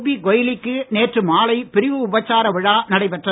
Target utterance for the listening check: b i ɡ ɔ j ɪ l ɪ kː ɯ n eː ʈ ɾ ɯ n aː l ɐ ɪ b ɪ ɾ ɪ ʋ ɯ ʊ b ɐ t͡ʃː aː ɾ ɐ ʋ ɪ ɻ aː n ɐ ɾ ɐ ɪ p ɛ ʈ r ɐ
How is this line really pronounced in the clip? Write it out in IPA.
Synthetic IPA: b i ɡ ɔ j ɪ l ɪ kː ɯ n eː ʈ r ɯ m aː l ɐ ɪ p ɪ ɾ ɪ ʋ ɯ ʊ b ɐ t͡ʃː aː ɾ ɐ ʋ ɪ ɻ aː n ɐ ɽ ɐ ɪ p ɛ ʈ r ɐ